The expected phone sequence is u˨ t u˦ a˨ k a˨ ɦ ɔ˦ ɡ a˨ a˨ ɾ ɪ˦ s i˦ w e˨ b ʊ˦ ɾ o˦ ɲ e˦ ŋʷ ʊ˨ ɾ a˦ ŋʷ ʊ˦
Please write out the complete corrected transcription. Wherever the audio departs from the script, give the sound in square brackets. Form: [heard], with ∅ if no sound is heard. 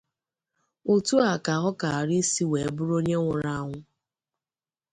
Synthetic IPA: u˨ t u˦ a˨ k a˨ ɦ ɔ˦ [k] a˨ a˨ ɾ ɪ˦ s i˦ w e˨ b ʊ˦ ɾ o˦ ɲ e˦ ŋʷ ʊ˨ ɾ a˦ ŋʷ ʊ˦